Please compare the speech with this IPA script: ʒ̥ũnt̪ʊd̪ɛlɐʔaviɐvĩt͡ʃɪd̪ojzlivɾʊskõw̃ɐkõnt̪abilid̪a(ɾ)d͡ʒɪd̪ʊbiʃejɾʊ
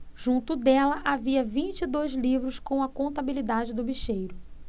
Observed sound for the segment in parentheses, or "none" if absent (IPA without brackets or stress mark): none